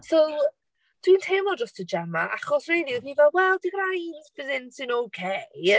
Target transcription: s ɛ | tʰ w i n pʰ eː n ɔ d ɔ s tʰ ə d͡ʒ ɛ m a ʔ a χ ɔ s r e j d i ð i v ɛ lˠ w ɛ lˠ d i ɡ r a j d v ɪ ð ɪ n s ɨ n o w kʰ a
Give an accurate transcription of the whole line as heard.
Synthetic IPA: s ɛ | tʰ w i n tʰ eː m ɔ d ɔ s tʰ ə d͡ʒ ɛ m a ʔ a χ ɔ s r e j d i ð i v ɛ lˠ w ɛ lˠ d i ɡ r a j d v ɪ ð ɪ n s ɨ n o w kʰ e